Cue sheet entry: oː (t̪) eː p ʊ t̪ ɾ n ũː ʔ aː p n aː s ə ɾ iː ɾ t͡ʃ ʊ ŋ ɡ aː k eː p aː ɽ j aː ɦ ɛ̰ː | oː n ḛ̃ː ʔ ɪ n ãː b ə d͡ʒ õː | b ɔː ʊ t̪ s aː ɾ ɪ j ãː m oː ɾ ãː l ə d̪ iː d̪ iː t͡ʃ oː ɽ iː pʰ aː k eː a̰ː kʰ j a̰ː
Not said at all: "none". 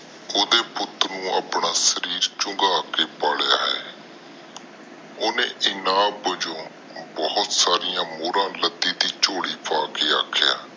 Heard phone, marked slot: d̪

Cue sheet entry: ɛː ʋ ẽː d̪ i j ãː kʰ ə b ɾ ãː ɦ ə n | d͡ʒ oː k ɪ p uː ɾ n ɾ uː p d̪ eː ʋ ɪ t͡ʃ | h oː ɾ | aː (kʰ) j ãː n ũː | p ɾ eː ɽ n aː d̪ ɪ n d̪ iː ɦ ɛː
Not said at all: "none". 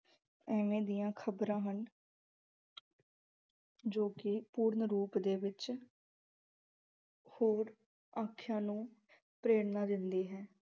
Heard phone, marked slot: kʰ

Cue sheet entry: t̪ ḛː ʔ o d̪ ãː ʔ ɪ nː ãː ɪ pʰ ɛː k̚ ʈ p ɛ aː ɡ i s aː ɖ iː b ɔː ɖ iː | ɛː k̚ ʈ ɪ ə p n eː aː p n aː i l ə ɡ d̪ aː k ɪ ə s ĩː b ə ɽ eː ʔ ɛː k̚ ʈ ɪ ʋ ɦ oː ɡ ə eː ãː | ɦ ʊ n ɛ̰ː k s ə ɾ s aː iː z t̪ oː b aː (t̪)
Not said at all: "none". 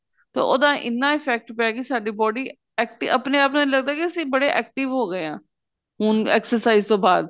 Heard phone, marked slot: d̪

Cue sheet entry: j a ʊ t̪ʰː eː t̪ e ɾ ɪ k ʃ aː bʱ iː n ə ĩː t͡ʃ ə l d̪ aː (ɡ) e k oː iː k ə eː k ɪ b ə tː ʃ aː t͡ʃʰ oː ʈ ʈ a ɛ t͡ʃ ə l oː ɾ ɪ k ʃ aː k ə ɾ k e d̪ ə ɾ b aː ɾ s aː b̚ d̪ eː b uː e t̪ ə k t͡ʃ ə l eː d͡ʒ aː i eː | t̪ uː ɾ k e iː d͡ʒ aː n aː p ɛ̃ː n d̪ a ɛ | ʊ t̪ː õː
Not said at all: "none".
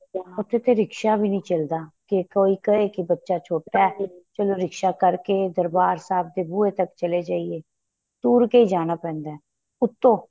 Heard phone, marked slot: k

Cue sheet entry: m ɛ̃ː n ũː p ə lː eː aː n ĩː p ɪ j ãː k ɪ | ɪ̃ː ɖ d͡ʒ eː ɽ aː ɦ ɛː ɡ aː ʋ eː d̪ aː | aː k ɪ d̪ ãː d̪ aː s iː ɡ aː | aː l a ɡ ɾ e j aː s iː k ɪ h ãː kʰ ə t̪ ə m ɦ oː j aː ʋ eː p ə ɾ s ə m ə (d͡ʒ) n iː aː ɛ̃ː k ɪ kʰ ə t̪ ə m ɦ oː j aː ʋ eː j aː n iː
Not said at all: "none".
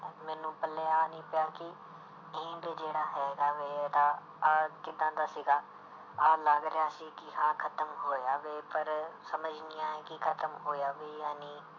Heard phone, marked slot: d͡ʒ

